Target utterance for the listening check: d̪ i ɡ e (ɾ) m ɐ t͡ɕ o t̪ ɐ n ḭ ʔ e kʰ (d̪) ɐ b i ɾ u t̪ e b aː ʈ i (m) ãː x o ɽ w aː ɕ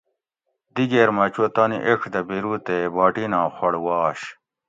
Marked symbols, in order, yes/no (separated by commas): yes, yes, no